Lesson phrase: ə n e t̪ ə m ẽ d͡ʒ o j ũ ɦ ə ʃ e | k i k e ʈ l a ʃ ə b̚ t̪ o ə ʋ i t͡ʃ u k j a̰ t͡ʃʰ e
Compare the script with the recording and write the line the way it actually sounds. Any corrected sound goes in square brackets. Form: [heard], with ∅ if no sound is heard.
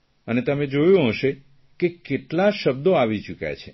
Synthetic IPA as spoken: ə n e t̪ ə m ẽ d͡ʒ o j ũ ɦ ə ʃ e | k [e] k e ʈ l a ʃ ə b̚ [d̪] o [a] ʋ i t͡ʃ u k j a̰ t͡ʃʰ e